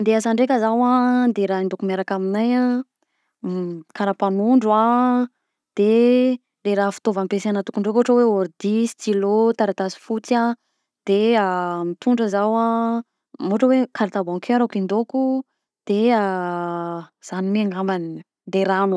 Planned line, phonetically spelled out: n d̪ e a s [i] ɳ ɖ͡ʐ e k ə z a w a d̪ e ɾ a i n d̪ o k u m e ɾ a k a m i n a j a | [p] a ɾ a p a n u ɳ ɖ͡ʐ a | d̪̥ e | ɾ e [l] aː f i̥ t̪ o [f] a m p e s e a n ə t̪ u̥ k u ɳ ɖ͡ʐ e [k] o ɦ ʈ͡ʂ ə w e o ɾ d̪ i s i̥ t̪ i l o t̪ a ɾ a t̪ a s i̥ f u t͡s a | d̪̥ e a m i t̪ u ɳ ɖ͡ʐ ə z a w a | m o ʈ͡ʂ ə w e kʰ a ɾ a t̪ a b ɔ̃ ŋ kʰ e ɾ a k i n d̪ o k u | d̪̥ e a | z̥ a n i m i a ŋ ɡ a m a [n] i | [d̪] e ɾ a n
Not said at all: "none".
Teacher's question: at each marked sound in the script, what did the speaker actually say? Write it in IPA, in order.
a, k, ɾ, v, k, n, d̪

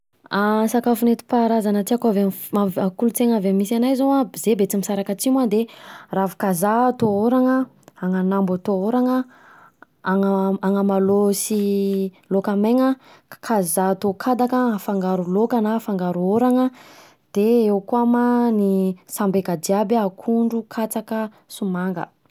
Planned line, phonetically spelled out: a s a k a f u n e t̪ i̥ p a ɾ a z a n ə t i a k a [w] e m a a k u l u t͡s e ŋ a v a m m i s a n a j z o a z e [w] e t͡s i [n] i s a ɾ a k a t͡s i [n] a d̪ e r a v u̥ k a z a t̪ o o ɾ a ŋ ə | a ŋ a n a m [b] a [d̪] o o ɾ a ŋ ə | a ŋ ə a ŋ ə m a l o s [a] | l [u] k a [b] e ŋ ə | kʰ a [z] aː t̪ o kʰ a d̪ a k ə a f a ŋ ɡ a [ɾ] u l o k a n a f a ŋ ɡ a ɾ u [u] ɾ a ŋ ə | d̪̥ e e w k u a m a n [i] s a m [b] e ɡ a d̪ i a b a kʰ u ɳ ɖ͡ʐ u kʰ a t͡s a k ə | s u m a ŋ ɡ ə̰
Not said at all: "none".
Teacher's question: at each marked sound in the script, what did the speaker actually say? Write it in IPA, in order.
v, b, m, m, b, t̪, i, o, m, z, ɾ, o, i, b

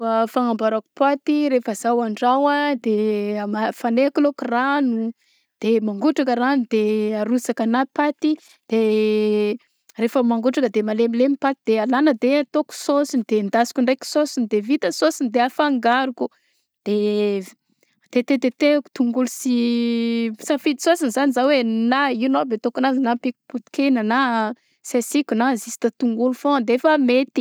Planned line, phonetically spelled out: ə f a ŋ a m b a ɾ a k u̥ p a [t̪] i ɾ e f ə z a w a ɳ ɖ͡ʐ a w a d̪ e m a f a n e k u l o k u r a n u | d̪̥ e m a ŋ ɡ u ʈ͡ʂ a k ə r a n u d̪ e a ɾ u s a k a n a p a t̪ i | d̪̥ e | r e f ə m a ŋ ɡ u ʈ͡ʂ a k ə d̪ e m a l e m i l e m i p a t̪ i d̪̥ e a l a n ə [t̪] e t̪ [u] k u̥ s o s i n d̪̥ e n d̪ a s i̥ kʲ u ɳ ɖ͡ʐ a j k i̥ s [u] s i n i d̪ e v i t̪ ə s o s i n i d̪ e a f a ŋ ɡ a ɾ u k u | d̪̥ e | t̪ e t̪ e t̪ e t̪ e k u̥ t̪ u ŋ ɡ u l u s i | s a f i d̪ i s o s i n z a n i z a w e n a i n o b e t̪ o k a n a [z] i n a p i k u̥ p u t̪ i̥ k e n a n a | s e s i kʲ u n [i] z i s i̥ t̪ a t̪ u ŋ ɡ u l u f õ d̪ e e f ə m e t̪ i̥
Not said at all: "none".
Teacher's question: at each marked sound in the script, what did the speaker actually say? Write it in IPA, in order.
t̪, d̪, o, o, z, a

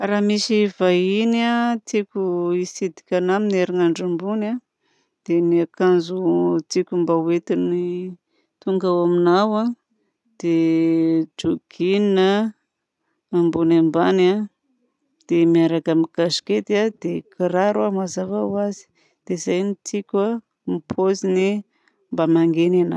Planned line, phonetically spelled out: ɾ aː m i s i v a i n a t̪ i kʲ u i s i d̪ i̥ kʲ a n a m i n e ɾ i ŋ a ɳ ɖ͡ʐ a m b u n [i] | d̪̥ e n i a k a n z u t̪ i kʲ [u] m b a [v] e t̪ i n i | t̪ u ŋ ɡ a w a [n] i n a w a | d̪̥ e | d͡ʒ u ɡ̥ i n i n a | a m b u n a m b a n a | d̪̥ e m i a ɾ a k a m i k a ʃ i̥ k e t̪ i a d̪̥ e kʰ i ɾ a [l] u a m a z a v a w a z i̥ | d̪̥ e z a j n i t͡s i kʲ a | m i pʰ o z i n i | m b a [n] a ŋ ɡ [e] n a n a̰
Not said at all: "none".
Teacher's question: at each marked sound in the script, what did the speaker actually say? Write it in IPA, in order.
a, u, w, m, ɾ, m, e

